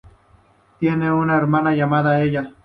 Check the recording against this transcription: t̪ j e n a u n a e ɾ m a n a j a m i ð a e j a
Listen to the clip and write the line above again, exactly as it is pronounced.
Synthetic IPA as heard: t̪ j e n e u n a e ɾ m a n a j a m a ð a e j a

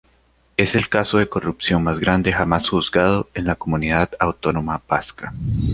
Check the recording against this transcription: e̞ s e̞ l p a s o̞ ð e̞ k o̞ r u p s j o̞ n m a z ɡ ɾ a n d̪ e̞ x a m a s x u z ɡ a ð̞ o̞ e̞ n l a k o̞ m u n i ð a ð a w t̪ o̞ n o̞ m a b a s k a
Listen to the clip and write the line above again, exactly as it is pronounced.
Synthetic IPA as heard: e̞ s e̞ l k a s o̞ ð e̞ k o̞ r u p s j o̞ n m a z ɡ ɾ a n d̪ e̞ x a m a s x u z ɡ a ð̞ o̞ e̞ n l a k o̞ m u n i ð a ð a w t̪ o̞ n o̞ m a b a s k a

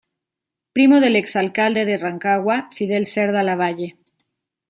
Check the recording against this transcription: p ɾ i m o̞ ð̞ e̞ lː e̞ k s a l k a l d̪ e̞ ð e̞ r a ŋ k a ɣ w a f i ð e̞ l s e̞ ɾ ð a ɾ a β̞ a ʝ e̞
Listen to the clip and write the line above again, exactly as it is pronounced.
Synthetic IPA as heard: p ɾ i m o̞ ð̞ e̞ l e̞ k s a l k a l d̪ e̞ ð e̞ r a ŋ k a ɣ w a f i ð e̞ l s e̞ ɾ ð a l a β̞ a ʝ e̞

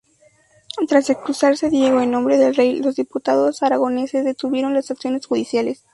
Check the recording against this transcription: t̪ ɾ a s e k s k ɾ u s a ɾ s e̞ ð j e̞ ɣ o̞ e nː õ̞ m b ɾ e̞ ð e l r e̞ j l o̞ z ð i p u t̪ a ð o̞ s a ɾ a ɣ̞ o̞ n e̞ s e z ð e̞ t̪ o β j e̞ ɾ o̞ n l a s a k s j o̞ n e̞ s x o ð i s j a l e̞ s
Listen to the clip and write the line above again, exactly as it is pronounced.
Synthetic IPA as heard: t̪ ɾ a s e k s k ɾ u s a ɾ s e̞ ð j e̞ ɣ o̞ e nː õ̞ m b ɾ e̞ ð e l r e̞ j l o̞ z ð i p u t̪ a ð o̞ s a ɾ a ɣ̞ o̞ n e̞ s e z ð e̞ t̪ u β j e̞ ɾ o̞ n l a s a k s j o̞ n e̞ s x u ð i s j a l e̞ s

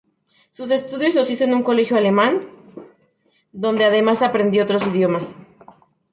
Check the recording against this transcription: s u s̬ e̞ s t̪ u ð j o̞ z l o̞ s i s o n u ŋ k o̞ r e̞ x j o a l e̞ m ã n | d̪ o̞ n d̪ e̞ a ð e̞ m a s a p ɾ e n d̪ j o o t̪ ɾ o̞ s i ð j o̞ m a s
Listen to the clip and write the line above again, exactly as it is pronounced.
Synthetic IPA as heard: s u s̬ e̞ s t̪ u ð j o̞ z l o̞ s i s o n u ŋ k o̞ l e̞ x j o a l e̞ m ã n | d̪ o̞ n d̪ e̞ a ð e̞ m a s a p ɾ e n d̪ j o o t̪ ɾ o̞ s i ð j o̞ m a s

